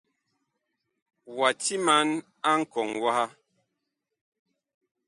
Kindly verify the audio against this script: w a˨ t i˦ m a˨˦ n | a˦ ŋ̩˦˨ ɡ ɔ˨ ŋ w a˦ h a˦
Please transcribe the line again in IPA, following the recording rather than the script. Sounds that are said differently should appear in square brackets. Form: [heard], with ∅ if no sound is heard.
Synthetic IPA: w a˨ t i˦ m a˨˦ n | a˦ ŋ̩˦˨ [k] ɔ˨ ŋ w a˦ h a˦